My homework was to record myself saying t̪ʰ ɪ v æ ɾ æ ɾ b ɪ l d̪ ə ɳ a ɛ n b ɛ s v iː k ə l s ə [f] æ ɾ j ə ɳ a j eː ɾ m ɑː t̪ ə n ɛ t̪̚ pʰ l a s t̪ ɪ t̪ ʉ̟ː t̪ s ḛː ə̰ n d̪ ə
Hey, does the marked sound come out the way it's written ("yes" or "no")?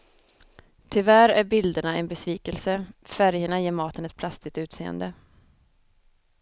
yes